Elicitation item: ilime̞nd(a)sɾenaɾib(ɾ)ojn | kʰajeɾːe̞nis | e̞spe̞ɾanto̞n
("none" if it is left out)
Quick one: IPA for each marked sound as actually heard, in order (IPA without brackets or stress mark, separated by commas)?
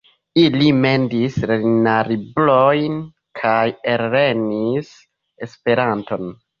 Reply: i, l